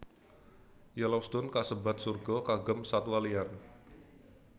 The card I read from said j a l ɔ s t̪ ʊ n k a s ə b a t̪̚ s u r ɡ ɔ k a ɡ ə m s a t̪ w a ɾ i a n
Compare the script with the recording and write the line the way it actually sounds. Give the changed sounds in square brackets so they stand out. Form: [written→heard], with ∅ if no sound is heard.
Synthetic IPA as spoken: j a l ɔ s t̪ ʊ n k a s ə b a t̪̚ s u r ɡ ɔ k a ɡ ə m s a t̪ w a [ɾ→l] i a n